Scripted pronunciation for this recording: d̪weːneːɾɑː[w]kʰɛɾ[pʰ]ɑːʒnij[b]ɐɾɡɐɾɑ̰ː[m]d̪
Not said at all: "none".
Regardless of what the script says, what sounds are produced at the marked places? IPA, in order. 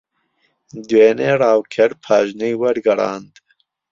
w, pʰ, w, n

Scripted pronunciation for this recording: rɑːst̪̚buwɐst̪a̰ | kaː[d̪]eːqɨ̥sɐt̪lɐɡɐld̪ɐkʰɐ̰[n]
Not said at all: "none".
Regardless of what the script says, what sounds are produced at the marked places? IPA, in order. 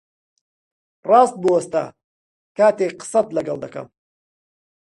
t̪, m

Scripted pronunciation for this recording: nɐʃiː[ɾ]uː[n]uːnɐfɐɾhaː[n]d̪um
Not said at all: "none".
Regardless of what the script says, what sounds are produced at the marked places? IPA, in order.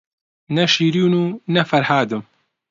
ɾ, n, none

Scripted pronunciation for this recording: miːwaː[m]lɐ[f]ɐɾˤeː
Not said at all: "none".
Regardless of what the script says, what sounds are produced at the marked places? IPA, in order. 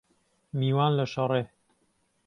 n, ʃ

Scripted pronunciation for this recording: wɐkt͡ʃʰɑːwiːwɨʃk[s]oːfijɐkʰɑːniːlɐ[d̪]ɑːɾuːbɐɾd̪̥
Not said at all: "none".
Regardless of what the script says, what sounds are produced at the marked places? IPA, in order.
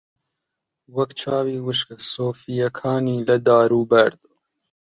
s, d̪

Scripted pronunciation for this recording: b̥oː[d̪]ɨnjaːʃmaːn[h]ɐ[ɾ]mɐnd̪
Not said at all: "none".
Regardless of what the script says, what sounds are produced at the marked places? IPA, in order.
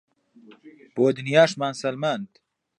d̪, s, l

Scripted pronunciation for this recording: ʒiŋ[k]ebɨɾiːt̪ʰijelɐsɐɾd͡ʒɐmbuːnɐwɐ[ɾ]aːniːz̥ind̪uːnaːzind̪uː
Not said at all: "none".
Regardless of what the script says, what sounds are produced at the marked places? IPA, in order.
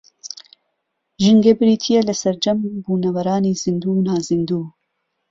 ɡ, ɾ

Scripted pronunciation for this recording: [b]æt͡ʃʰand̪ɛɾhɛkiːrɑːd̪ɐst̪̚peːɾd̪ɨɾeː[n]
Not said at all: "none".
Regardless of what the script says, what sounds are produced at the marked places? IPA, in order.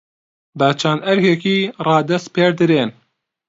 b, n

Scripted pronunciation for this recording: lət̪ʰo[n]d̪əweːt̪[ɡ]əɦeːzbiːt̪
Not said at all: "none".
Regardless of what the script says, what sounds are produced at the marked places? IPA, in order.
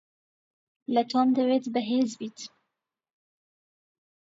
m, b

